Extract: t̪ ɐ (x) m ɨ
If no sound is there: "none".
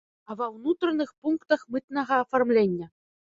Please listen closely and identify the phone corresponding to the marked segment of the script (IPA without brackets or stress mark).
x